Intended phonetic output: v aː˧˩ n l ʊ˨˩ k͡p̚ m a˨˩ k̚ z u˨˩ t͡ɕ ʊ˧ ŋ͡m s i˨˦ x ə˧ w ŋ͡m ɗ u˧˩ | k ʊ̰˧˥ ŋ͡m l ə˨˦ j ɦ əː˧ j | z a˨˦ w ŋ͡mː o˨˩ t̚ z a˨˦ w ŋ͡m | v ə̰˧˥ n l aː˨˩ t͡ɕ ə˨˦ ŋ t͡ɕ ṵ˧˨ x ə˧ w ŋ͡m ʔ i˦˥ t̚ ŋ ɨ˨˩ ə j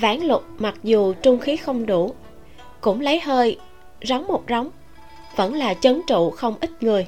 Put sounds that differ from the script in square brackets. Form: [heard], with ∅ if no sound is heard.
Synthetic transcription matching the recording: v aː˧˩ n l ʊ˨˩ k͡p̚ m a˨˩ k̚ z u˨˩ t͡ɕ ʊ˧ ŋ͡m [x] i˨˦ x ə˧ w ŋ͡m ɗ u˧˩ | k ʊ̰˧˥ ŋ͡m l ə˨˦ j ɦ əː˧ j | z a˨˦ w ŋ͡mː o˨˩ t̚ z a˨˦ w ŋ͡m | v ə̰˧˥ n l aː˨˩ t͡ɕ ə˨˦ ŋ t͡ɕ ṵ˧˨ x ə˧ w ŋ͡m ʔ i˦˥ t̚ ŋ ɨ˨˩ ə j